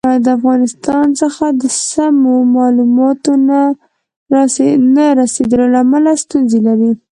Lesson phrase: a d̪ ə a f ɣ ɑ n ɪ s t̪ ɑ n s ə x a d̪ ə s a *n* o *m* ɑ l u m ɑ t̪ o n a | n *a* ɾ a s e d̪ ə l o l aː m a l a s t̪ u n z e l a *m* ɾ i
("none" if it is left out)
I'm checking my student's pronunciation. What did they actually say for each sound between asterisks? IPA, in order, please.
m, m, a, none

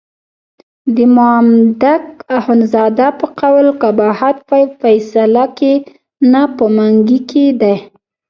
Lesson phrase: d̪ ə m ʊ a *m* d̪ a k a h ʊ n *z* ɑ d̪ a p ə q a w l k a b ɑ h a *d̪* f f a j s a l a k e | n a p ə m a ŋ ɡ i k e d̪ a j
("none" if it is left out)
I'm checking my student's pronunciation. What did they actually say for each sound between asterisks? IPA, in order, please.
m, z, t̪

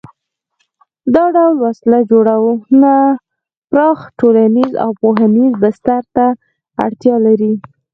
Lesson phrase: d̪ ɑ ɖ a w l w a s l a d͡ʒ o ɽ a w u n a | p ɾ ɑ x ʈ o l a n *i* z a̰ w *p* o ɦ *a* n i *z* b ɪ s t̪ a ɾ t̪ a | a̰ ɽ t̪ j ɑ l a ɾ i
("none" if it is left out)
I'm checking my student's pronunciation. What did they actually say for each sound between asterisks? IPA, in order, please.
i, p, a, z

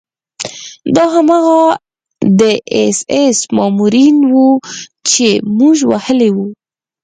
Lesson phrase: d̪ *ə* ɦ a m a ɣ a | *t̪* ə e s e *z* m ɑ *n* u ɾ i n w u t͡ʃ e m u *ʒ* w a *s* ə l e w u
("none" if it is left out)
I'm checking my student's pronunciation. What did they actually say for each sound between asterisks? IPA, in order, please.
ɑ, d̪, s, m, ʒ, h

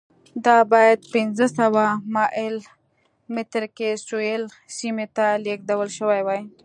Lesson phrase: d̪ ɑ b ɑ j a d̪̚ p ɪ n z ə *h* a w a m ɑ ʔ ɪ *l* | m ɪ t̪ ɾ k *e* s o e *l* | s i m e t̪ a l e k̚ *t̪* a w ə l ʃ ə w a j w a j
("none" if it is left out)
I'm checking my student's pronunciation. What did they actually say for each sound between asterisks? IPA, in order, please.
s, l, e, l, d̪

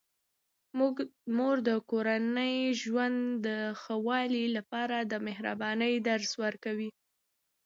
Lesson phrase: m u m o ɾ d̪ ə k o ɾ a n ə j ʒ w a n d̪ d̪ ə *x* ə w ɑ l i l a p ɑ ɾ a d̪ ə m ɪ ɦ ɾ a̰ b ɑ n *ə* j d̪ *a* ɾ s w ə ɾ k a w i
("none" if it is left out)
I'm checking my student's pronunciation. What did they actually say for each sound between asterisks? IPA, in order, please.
x, ə, a

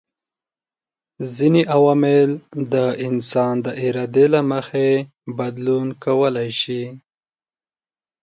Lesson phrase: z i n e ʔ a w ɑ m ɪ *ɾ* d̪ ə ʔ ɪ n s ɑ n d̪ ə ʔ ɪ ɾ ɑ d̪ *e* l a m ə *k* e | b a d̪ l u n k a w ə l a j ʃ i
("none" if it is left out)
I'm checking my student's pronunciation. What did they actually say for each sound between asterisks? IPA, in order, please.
l, e, x

